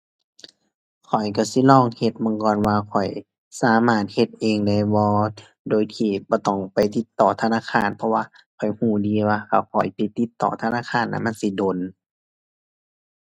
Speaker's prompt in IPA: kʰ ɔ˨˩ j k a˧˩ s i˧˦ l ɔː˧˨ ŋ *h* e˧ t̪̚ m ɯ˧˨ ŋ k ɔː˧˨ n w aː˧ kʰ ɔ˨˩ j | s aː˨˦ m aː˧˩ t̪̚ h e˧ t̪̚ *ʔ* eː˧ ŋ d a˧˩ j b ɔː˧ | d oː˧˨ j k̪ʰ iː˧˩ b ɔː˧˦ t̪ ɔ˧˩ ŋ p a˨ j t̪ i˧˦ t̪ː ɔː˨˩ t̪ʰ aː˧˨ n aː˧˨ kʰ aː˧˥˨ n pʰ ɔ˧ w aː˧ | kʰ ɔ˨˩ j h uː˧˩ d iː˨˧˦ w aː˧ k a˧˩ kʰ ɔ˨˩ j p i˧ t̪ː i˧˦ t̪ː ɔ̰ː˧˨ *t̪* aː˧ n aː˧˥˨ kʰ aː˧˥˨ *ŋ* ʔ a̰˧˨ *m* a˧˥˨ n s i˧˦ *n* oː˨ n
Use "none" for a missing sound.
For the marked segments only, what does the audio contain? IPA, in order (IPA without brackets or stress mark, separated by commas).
h, ʔ, t̪ʰ, n, m, d